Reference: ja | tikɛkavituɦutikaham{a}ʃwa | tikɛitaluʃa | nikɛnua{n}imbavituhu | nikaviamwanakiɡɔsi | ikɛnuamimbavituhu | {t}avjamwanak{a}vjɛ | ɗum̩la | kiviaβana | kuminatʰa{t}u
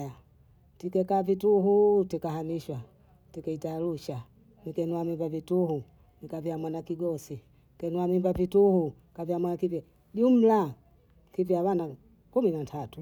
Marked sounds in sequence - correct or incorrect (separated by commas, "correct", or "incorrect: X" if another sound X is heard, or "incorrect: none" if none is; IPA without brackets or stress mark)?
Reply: incorrect: i, incorrect: m, incorrect: k, incorrect: i, correct